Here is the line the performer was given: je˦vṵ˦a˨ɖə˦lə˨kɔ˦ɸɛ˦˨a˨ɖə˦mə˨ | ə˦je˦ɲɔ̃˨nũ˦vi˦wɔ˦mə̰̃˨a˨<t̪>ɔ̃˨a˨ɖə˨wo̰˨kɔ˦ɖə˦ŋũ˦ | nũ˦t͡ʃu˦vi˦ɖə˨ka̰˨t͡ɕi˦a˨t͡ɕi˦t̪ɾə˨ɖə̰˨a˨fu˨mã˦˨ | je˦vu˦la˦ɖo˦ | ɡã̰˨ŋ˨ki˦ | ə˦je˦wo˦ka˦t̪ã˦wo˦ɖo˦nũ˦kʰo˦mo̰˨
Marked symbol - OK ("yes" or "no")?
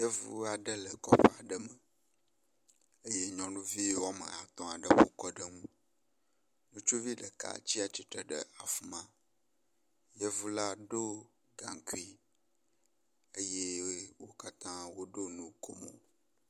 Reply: yes